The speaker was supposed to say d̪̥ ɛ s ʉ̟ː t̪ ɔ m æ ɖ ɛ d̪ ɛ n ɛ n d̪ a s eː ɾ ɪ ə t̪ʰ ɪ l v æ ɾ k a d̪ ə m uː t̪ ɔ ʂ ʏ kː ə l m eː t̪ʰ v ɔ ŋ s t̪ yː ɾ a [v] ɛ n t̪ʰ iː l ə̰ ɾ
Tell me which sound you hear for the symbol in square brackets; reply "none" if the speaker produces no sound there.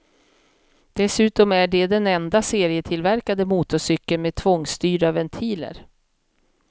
v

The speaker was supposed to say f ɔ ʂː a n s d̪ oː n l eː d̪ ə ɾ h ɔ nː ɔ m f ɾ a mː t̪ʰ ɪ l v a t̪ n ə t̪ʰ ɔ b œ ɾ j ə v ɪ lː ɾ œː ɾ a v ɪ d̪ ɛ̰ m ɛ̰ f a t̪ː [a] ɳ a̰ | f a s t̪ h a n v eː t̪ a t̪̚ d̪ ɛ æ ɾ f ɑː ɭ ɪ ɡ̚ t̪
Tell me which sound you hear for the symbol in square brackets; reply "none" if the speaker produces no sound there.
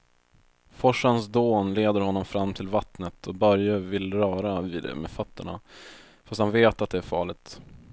ə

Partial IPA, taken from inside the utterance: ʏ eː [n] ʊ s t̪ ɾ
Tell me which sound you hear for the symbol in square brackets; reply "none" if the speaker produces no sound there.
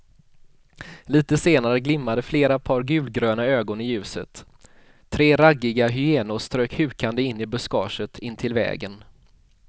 n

